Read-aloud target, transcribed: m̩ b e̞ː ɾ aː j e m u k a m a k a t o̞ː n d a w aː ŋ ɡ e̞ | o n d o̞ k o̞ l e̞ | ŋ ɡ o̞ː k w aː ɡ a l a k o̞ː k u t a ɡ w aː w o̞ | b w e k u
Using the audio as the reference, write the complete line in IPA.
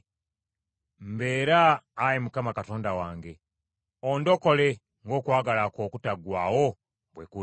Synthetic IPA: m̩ b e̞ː ɾ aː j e m u k a m a k a t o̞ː n d a w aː ŋ ɡ e̞ | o n d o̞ k o̞ l e̞ | ŋ ɡ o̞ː k w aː ɡ a l a k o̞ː k u t a ɡ w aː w o̞ | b w e k u